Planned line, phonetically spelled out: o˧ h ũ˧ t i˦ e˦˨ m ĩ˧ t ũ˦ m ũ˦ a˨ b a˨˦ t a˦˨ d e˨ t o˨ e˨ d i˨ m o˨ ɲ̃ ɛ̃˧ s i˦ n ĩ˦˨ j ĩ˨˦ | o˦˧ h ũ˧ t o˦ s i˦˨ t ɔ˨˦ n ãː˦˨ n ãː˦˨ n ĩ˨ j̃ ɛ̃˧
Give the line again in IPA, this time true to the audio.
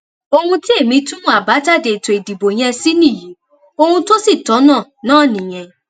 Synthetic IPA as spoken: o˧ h ũ˧ t i˦ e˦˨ m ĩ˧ t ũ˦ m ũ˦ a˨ b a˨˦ t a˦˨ d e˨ t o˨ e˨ d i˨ b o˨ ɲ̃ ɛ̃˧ s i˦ n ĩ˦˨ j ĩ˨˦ | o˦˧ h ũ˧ t o˦ s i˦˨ t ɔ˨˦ n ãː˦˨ n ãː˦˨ n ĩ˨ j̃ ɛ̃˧

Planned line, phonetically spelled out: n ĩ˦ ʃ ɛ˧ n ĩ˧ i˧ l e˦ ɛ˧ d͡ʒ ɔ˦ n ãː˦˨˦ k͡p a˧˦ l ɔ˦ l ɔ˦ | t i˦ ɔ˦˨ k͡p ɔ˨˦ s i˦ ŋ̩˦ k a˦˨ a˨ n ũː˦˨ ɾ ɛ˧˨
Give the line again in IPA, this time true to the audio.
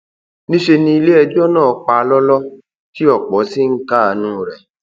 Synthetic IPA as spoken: n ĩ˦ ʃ e˧ n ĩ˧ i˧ l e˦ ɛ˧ d͡ʒ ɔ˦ n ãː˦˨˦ k͡p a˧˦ l ɔ˦ l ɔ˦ | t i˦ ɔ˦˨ k͡p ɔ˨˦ s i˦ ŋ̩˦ k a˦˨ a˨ n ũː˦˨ ɾ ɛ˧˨

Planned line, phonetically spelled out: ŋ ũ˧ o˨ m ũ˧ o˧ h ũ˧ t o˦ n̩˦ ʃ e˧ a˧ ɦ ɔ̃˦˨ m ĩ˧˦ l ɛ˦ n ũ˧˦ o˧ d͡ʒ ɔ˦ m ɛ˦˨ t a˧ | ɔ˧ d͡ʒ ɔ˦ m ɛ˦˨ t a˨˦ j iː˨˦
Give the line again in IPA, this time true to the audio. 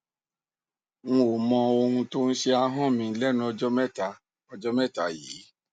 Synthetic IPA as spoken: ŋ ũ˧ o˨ m ɔ̃˧ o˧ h ũ˧ t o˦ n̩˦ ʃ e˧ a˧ ɦ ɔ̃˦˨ m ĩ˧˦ l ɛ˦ n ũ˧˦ ɔ˧ d͡ʒ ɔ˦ m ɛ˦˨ t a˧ | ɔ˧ d͡ʒ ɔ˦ m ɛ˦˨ t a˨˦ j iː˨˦

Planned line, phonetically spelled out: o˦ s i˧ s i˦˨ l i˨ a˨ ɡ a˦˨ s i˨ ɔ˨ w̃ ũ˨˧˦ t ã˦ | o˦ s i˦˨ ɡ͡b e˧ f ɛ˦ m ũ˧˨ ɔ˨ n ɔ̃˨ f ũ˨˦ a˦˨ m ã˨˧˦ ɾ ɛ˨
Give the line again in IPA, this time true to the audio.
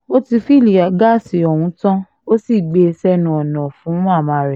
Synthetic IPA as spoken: o˦ t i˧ f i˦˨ l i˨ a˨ ɡ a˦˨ s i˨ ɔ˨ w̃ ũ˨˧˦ t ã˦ | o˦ s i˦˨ ɡ͡b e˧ s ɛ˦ n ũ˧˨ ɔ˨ n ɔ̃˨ f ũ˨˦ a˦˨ m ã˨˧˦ ɾ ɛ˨

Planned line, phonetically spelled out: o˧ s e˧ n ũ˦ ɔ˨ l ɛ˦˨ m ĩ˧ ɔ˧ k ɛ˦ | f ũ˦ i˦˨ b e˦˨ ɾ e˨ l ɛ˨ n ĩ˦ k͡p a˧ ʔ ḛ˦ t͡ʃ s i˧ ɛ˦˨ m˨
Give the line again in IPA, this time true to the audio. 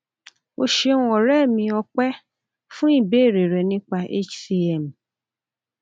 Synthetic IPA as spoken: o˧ ʃ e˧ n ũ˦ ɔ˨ ɾ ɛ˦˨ m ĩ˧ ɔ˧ k͡p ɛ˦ | f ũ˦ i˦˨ b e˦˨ ɾ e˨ ɾ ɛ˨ n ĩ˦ k͡p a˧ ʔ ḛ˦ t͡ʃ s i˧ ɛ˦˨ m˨

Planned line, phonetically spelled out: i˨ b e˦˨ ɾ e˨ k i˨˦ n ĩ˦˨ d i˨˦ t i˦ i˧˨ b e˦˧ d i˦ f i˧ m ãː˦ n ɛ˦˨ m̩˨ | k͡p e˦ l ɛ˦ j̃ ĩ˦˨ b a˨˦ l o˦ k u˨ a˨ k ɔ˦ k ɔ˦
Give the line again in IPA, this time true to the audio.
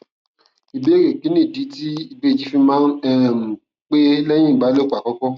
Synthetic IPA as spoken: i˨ b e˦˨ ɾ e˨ k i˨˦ n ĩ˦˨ d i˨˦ t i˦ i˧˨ b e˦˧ d͡ʒ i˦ f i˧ m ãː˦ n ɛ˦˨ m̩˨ | k͡p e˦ l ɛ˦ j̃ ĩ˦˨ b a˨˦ l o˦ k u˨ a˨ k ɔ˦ k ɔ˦

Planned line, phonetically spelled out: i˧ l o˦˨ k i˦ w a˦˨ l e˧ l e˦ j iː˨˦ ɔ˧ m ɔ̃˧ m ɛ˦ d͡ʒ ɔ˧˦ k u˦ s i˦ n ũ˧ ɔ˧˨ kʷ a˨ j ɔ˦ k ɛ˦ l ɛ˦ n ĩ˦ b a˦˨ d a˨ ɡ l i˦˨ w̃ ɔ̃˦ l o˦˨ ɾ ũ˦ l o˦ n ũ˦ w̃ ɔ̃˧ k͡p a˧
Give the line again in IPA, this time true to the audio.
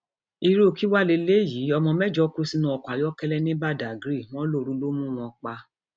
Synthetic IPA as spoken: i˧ ɾ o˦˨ k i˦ w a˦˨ l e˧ l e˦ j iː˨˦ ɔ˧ m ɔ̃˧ m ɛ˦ d͡ʒ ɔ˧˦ k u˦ s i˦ n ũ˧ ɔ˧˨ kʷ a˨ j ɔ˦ k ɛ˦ l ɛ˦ n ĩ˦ b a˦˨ d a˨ ɡ ɾ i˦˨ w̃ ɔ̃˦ l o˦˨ ɾ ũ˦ l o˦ m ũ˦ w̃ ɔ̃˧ k͡p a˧

